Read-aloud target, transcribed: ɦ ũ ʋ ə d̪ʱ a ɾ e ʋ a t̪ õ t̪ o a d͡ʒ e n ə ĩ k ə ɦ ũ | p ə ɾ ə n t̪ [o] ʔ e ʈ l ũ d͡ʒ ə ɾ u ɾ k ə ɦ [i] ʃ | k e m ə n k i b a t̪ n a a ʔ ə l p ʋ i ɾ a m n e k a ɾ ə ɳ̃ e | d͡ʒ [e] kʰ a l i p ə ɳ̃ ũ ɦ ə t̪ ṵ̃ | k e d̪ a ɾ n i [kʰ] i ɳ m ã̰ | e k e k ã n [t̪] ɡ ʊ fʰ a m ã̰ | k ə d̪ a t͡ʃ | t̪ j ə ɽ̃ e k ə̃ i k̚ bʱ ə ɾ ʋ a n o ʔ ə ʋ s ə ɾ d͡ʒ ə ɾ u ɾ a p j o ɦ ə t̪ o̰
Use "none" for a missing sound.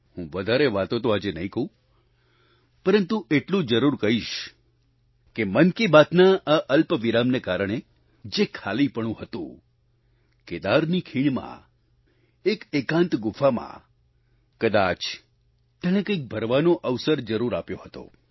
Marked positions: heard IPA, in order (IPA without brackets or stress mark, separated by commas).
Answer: u, i, e, kʰ, t̪